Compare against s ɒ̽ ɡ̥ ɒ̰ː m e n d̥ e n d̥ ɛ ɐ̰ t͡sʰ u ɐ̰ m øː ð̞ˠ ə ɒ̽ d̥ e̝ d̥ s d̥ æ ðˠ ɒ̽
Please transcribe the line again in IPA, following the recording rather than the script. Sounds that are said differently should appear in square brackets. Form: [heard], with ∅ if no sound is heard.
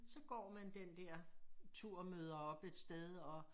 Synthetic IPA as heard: s ɒ̽ ɡ̥ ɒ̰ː m [æ] n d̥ e n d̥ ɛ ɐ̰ t͡sʰ u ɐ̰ m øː ð̞ˠ [ɐ] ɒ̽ [b̥] e̝ d̥ s d̥ [e] ðˠ ɒ̽